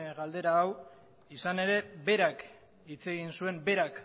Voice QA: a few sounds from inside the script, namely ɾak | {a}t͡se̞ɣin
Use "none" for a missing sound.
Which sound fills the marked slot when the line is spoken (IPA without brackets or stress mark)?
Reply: i